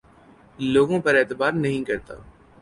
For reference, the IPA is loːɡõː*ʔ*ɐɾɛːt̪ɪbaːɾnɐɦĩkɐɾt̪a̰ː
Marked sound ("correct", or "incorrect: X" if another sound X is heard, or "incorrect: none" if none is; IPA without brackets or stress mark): incorrect: p